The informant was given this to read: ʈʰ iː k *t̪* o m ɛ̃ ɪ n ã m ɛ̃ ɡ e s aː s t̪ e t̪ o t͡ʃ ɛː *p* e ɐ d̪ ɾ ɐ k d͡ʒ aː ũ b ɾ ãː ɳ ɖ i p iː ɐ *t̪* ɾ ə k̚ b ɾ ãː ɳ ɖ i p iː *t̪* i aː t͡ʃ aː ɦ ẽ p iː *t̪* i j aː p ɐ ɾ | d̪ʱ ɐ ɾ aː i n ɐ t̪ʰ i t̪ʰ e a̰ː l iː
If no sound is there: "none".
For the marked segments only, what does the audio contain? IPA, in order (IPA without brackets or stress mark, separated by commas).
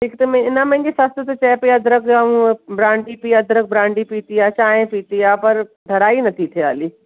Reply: t̪, p, d̪, t̪, t̪